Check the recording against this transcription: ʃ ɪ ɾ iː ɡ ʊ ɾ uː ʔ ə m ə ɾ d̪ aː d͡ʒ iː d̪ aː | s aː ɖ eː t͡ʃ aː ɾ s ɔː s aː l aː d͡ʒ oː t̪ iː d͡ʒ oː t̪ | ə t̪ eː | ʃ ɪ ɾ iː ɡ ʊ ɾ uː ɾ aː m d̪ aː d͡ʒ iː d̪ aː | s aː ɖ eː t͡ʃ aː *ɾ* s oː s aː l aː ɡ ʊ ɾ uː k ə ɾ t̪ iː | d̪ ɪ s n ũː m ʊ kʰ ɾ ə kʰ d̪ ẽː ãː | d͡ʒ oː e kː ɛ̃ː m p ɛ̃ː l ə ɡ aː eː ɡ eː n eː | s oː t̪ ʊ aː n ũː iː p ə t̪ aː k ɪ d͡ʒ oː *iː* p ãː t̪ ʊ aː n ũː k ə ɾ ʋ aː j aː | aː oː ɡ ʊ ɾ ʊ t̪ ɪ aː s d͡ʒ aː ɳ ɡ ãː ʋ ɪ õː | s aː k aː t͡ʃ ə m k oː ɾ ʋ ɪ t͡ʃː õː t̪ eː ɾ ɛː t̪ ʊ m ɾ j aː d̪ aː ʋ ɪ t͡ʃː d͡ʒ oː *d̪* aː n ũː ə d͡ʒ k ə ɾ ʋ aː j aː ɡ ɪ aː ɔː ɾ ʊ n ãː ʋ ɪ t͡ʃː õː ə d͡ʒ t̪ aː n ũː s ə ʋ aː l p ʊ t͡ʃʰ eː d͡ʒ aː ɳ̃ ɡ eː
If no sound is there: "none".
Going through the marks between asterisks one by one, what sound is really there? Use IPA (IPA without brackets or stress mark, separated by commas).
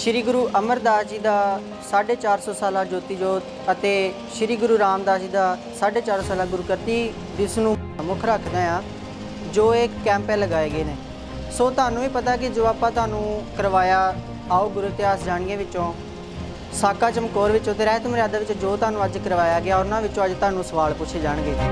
ɾ, aː, t̪